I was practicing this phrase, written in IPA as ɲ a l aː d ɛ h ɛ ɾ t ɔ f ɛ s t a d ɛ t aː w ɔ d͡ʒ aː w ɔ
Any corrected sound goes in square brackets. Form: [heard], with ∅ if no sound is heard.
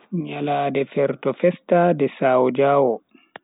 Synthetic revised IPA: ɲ a l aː d ɛ [f] ɛ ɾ t ɔ f ɛ s t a d ɛ [s] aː w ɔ d͡ʒ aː w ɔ